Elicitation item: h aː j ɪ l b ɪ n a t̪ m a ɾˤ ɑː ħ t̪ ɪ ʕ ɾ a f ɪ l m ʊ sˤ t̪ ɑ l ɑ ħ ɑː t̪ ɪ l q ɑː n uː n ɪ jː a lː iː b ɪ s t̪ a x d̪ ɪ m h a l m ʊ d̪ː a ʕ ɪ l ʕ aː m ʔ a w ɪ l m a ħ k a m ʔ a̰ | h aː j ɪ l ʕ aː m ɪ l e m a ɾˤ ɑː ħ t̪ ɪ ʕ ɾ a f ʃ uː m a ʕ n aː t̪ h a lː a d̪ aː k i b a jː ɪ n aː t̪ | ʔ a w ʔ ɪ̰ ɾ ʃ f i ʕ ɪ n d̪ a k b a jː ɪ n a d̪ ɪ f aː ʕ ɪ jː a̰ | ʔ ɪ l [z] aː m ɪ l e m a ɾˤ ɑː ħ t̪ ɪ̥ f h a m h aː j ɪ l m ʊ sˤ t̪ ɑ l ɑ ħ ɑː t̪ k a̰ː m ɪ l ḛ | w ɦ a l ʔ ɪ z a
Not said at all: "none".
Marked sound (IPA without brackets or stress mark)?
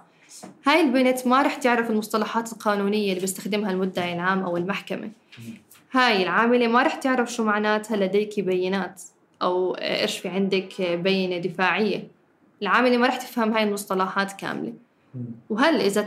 ʕ